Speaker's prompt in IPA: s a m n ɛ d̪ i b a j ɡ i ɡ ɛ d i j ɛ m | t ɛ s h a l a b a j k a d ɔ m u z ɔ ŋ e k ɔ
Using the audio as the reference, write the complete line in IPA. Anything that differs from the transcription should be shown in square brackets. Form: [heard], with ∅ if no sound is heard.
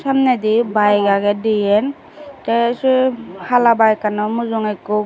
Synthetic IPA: s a m n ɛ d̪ i b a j ɡ [a] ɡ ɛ d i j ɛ [n] | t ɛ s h a l a b a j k a [n] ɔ m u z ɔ ŋ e k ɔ